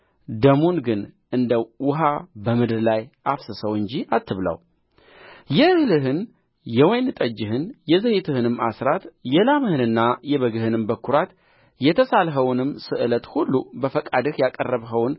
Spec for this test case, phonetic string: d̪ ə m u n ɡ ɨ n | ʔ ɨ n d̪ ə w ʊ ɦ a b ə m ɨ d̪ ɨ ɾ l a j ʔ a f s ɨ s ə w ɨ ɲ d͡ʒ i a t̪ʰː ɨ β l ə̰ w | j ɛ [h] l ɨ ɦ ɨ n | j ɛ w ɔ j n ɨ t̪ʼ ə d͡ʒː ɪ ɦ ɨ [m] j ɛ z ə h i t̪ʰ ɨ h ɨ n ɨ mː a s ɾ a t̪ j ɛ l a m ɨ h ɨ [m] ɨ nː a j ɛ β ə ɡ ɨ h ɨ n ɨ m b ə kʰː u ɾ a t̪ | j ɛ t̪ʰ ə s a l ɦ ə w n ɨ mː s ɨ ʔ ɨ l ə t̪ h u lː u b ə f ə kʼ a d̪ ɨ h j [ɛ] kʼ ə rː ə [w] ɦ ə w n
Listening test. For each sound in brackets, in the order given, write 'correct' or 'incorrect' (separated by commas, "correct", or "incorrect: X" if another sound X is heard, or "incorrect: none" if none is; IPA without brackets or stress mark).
correct, incorrect: n, incorrect: n, incorrect: a, incorrect: β